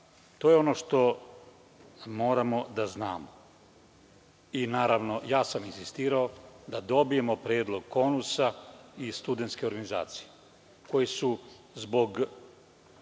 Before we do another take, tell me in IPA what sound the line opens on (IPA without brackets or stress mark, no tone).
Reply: t̪